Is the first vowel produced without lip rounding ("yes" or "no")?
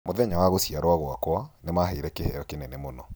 no